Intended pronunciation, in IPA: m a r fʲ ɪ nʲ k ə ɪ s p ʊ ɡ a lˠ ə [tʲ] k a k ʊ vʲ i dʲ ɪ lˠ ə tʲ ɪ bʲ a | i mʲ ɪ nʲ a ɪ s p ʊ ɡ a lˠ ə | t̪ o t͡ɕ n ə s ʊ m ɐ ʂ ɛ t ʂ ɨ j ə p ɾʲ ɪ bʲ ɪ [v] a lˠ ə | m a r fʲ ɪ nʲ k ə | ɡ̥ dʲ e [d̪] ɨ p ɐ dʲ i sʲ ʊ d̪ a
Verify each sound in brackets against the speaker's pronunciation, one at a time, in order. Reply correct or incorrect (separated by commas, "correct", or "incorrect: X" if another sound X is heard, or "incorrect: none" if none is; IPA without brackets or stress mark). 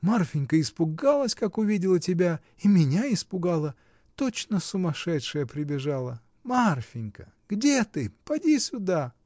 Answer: incorrect: sʲ, incorrect: ʐ, incorrect: t̪